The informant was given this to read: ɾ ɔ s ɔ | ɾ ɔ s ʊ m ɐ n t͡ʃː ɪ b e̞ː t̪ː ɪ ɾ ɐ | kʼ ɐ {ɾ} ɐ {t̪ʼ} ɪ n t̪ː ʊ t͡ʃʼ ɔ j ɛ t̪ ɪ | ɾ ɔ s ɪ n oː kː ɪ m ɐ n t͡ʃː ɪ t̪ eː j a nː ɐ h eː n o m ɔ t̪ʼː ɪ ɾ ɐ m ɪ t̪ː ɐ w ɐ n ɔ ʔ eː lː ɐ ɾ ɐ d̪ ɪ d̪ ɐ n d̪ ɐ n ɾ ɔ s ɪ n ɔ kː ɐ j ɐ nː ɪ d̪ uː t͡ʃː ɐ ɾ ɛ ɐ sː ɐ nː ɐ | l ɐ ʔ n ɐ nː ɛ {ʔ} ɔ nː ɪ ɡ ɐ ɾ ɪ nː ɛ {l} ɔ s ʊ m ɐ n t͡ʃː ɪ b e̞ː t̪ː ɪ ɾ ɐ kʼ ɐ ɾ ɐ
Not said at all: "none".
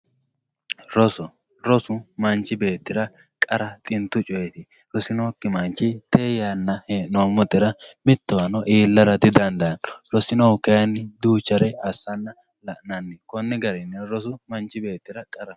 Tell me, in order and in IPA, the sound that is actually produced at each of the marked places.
ɾ, t̪ʼ, k, ɾ

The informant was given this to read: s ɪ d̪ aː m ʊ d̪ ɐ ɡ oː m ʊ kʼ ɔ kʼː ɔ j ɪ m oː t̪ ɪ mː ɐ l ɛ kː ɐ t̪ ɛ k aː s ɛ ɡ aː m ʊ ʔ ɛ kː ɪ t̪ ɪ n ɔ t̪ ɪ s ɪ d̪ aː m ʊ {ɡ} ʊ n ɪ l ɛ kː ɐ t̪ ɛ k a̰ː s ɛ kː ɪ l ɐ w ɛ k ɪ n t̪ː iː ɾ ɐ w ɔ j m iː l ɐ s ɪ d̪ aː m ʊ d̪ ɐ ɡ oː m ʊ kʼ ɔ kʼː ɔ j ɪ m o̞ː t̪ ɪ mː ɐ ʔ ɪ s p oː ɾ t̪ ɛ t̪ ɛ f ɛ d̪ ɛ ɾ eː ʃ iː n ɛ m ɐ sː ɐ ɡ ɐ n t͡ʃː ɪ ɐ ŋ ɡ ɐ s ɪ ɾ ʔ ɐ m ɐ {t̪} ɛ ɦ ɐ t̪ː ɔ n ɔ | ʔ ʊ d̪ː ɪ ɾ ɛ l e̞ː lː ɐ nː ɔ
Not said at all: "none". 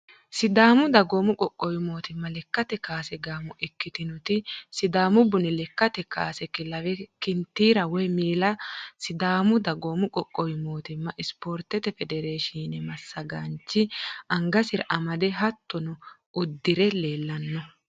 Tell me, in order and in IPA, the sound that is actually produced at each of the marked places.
b, d̪

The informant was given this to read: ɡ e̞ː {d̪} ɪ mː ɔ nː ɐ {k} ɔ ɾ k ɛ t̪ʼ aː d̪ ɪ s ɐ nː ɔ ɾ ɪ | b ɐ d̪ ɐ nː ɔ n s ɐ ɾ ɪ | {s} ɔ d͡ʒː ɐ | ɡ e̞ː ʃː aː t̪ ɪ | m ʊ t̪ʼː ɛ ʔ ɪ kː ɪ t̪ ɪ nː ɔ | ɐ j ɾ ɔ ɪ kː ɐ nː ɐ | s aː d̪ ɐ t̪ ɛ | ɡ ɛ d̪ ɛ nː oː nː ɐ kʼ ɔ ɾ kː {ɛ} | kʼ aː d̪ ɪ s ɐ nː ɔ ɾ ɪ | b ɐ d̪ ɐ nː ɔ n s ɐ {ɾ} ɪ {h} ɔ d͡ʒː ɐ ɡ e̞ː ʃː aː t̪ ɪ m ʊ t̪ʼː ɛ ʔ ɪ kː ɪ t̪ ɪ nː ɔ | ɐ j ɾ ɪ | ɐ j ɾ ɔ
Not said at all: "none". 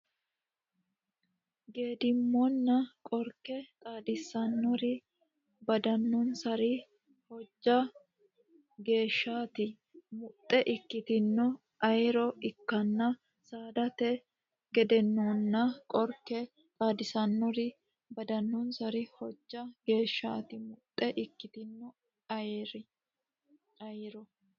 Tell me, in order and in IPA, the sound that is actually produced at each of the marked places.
d̪, kʼ, h, ɛ, ɾ, h

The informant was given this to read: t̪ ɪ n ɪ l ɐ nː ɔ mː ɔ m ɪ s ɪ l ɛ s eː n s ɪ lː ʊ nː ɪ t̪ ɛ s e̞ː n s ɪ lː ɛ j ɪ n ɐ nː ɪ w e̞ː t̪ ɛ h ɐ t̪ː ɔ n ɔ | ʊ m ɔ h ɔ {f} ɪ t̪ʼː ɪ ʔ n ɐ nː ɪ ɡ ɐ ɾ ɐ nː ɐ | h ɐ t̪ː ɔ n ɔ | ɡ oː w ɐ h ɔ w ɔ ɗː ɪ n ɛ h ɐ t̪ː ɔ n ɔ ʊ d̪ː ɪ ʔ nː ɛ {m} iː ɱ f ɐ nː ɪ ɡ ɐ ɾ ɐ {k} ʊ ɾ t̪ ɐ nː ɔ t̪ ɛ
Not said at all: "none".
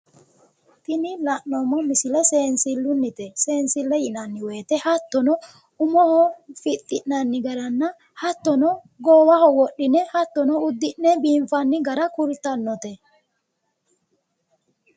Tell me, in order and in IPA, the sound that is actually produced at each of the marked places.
f, b, k

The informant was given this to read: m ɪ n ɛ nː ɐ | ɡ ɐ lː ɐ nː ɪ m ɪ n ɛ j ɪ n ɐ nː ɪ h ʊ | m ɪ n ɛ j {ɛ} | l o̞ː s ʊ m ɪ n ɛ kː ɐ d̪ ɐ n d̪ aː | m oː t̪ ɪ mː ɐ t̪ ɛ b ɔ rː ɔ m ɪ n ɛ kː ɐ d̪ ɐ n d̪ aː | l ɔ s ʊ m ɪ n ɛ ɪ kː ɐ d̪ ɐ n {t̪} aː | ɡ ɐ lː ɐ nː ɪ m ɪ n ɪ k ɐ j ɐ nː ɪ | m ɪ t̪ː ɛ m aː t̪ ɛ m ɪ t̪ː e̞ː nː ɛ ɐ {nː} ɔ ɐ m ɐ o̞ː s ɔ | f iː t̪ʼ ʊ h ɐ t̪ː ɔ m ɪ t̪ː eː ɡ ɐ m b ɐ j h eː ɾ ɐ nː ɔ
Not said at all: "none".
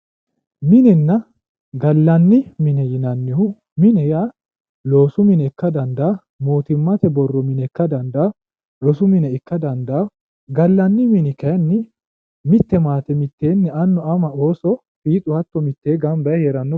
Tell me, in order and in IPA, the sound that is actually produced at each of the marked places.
a, d̪, nː

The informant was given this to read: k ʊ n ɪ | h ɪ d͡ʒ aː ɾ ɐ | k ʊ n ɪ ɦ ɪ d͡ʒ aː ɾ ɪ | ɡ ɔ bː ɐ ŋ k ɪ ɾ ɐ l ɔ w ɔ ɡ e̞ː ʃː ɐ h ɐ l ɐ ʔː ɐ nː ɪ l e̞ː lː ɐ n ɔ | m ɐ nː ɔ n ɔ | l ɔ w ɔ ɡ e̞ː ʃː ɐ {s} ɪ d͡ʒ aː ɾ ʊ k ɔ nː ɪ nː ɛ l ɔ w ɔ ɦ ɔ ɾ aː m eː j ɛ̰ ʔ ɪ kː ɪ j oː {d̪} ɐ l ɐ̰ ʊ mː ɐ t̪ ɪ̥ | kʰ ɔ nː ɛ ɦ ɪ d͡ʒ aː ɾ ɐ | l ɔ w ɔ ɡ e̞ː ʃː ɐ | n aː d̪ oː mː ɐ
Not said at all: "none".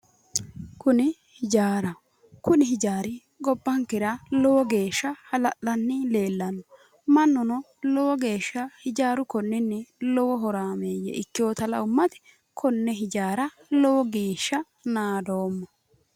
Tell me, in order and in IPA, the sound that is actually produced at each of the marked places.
h, t̪

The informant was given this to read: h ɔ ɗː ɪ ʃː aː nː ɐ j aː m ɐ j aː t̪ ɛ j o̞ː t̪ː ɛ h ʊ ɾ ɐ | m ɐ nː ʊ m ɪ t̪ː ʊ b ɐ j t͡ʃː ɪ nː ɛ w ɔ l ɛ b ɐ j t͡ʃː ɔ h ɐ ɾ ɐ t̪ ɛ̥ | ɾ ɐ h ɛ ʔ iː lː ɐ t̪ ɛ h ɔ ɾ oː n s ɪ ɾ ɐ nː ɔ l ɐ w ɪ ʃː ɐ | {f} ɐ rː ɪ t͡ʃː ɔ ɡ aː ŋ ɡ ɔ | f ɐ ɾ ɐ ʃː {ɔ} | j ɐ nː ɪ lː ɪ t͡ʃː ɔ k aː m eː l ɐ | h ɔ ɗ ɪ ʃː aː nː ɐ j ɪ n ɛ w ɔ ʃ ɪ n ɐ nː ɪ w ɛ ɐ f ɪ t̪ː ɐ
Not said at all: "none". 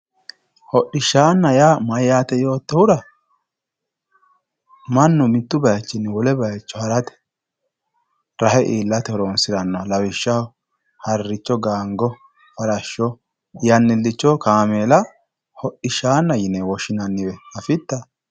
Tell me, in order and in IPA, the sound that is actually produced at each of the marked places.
h, ɔ

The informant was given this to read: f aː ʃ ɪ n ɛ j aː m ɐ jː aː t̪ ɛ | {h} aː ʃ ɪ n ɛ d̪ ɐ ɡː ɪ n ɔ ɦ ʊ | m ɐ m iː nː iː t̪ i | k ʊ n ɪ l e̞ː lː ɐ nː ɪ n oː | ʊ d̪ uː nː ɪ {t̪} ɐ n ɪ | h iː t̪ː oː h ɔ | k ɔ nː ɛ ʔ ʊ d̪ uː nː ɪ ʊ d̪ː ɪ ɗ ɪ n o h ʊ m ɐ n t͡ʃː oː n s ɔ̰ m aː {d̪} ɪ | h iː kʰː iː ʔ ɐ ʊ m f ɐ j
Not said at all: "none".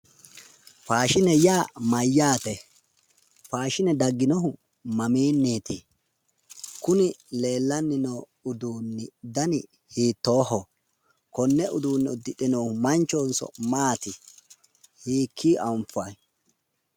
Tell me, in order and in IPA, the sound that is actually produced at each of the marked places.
f, d̪, t̪

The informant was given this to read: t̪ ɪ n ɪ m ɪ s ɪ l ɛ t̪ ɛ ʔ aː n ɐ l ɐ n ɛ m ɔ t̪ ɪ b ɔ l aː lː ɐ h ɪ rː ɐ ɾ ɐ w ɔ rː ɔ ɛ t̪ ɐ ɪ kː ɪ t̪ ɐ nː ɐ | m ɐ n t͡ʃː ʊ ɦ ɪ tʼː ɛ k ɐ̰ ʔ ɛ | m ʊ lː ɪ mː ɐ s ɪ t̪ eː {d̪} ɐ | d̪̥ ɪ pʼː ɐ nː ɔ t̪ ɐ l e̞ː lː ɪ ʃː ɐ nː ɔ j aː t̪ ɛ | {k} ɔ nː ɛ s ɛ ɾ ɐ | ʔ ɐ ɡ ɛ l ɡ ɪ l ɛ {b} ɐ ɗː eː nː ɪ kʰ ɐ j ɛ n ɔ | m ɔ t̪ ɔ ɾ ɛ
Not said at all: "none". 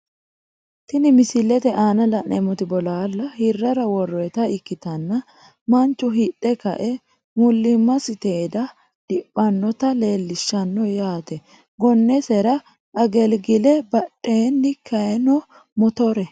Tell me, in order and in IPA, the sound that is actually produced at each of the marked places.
d̪, ɡ, b

